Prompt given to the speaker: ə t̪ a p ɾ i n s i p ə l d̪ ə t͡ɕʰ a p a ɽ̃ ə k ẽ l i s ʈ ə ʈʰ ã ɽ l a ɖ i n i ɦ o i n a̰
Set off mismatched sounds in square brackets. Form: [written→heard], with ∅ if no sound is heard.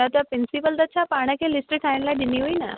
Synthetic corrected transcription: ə t̪ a p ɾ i n s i p ə l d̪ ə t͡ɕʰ a p a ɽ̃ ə k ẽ l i s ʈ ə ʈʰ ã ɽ l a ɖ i n i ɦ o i n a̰